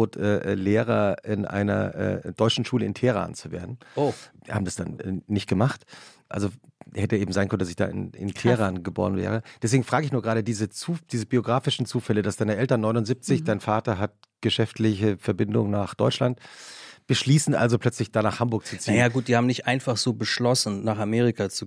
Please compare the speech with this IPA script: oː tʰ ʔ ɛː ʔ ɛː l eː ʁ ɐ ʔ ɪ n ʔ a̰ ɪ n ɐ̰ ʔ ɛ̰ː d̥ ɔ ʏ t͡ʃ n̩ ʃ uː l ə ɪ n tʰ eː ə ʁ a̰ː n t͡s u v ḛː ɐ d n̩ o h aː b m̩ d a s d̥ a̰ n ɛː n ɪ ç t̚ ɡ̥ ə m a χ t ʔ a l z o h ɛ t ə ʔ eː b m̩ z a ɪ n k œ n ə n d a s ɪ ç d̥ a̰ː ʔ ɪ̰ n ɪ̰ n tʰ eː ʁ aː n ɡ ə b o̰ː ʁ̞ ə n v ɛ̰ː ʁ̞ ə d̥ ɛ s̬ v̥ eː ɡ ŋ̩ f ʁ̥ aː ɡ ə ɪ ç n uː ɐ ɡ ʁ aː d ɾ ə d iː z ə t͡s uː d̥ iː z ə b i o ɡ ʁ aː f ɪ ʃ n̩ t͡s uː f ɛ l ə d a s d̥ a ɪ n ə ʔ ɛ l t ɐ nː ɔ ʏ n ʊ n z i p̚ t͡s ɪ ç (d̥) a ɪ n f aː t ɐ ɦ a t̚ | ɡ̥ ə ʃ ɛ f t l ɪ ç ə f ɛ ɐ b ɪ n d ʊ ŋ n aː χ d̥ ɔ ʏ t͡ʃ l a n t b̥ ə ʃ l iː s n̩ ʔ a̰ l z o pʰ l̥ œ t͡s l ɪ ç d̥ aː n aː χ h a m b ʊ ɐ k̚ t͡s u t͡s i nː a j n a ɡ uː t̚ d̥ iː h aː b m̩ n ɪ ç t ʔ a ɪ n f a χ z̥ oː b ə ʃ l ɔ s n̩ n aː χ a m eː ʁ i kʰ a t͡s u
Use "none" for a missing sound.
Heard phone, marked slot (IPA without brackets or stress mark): d̥